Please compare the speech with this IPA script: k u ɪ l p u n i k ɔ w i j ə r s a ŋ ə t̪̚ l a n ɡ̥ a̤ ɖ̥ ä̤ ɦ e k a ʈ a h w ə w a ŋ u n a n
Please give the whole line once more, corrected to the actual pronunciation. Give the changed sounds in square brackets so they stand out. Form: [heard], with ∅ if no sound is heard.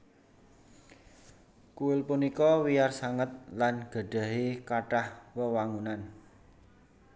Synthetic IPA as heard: k u ɪ l p u n i k ɔ w i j [a] r s a ŋ ə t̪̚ l a n ɡ̥ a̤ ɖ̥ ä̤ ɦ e k a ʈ a h w ə w a ŋ u n a n